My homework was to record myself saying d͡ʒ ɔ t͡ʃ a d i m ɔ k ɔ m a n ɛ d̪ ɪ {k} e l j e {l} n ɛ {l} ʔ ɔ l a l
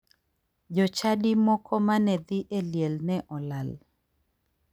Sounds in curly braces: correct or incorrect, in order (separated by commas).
incorrect, correct, incorrect